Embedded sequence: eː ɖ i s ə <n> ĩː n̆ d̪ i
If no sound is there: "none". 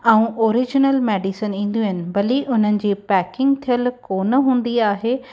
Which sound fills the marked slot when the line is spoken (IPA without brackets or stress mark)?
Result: n